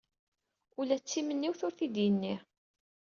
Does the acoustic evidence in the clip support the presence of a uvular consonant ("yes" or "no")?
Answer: no